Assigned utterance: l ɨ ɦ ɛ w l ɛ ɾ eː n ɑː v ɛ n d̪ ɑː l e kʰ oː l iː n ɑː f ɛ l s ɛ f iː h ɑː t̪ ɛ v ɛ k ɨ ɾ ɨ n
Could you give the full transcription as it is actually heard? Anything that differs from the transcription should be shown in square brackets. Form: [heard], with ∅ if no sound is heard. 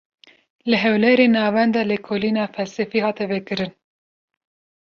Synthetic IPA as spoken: l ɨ ɦ ɛ w l ɛ ɾ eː n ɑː v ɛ n d̪ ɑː l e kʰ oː l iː n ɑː f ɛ l s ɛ f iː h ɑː t̪ ɛ v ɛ k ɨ ɾ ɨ n